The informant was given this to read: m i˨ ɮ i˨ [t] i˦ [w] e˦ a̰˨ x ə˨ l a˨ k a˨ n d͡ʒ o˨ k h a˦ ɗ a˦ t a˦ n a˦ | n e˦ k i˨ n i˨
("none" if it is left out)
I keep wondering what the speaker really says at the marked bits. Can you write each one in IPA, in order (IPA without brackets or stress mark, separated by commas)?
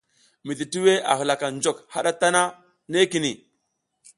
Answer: t, w